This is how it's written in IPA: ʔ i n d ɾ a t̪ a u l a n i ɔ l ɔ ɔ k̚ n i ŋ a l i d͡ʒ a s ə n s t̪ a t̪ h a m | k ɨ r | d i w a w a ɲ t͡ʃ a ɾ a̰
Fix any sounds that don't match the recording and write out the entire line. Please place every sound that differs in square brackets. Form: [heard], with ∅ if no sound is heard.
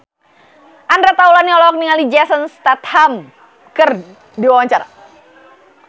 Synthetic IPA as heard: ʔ [a] n d ɾ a t̪ a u l a n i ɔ l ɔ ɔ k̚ n i ŋ a l i d͡ʒ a s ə n s t̪ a t̪ h a m | k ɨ r | d i w a w a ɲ t͡ʃ a ɾ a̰

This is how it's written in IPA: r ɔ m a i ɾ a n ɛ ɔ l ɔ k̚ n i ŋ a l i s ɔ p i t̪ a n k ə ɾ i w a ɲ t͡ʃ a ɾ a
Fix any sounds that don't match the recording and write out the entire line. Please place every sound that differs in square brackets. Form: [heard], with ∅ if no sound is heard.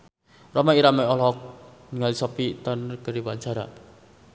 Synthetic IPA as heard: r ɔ m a i ɾ a [m] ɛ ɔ l ɔ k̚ n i ŋ a l i s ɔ p i t̪ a n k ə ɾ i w a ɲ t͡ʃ a ɾ a

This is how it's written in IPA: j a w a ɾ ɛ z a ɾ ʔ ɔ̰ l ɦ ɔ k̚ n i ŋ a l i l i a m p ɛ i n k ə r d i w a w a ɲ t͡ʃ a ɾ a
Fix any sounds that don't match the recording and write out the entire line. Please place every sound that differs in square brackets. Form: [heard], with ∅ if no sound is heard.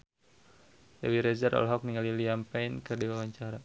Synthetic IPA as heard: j a w [i] ɾ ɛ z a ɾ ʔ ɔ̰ l ɦ ɔ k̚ n i ŋ a l i l i a m p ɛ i n k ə r d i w a w a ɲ t͡ʃ a ɾ a

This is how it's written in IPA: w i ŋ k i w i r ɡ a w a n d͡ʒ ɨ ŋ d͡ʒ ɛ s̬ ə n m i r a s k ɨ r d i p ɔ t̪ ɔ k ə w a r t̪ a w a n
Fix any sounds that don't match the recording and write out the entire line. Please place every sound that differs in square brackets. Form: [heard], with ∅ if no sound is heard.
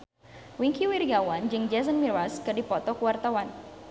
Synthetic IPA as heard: w i ŋ k i w i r ɡ a w a n d͡ʒ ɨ ŋ d͡ʒ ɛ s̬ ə n m i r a s k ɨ r d i p ɔ t̪ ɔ k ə w a r t̪ a w a n

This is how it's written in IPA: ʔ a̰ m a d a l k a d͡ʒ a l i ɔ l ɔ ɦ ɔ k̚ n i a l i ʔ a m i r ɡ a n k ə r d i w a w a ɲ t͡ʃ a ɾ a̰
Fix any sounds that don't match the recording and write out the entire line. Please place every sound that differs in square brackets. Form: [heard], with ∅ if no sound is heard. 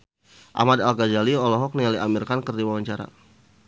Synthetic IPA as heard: ʔ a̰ m a d a l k a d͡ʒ a l i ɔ l ɔ ɦ ɔ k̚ n i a l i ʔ a m i r [k] a n k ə r d i w a w a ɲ t͡ʃ a ɾ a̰

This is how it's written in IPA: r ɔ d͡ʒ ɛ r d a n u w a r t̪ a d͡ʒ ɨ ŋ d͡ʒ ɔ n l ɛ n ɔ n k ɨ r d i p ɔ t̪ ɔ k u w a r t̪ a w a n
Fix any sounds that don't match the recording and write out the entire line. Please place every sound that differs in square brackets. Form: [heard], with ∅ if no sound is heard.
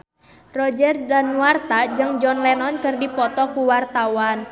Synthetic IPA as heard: r ɔ d͡ʒ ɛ r d a n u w a r t̪ a d͡ʒ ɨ ŋ d͡ʒ ɔ n l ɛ n ɔ n k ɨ r d i p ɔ t̪ ɔ k u w a r t̪ a w a n

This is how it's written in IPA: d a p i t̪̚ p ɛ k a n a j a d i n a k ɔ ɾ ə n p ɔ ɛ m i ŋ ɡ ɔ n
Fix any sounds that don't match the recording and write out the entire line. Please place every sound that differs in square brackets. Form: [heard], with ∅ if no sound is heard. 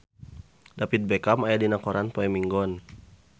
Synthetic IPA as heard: d a p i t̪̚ [b] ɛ k a [m] a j a d i n a k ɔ ɾ [a] n p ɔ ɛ m i ŋ ɡ ɔ n

